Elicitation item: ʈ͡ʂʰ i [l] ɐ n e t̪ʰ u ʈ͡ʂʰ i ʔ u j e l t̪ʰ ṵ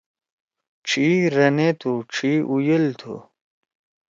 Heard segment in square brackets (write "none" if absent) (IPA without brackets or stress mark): ɾ